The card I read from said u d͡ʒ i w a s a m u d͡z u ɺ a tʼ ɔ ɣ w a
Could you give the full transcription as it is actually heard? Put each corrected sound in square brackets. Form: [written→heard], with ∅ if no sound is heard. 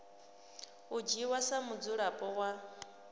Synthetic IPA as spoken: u d͡ʒ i w a s a m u d͡z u ɺ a [tʼ→pʼ] ɔ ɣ w a